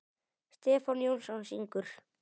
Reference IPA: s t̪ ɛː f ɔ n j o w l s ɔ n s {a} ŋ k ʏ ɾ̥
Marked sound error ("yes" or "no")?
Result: yes